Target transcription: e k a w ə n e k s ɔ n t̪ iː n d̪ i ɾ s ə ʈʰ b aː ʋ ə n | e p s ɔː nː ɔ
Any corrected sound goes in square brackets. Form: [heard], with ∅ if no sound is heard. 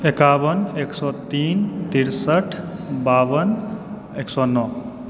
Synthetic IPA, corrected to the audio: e k a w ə n e k s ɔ [∅] t̪ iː n [t̪] i ɾ s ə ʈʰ b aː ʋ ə n | e [k] s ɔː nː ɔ